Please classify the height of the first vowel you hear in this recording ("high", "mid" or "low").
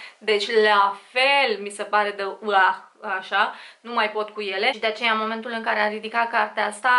mid